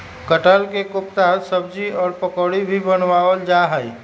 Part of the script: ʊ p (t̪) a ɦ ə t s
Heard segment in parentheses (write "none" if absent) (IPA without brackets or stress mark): t̪